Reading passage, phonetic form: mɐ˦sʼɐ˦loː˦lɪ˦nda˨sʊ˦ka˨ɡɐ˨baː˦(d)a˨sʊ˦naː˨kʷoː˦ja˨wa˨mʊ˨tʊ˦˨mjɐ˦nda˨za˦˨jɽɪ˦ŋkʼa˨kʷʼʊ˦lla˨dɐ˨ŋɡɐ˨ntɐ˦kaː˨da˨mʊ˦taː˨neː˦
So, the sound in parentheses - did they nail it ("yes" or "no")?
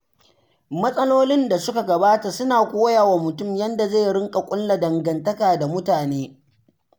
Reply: no